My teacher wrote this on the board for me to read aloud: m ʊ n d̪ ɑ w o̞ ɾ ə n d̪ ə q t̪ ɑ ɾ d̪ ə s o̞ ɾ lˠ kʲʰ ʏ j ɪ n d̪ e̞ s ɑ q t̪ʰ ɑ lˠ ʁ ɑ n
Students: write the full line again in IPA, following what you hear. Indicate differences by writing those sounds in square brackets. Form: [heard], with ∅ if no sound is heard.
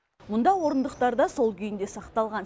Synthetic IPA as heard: m ʊ n d̪ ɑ w o̞ ɾ ə n d̪ ə q t̪ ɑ ɾ d̪ [ɑ] s o̞ [∅] lˠ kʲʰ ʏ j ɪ n d̪ e̞ s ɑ q [t̪] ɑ lˠ ʁ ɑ n